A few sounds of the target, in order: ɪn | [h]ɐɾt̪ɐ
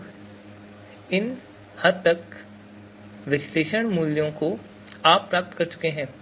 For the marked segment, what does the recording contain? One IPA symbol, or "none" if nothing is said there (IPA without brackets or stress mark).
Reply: h